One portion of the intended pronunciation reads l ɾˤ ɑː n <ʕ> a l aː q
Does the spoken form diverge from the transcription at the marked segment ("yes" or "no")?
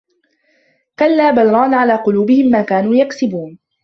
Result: no